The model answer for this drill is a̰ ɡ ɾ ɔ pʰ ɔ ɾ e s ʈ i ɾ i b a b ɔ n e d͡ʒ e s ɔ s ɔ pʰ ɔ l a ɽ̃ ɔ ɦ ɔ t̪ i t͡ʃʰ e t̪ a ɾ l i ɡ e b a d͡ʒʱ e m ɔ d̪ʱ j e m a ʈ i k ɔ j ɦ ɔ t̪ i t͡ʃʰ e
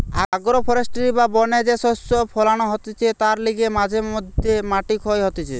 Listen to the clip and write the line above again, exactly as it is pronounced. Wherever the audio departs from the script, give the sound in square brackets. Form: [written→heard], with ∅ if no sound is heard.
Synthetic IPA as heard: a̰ ɡ ɾ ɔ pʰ ɔ ɾ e s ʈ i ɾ i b a b ɔ n e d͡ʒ e s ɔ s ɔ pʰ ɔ l a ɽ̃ ɔ ɦ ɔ t̪ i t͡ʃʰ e t̪ a ɾ l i ɡ e [b→m] a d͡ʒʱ e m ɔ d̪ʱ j e m a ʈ i k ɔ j ɦ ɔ t̪ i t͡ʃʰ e